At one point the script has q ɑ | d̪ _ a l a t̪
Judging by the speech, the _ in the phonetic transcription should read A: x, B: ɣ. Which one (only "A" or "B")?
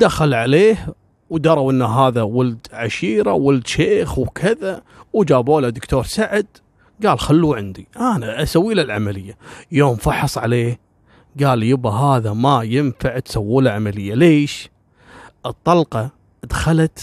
A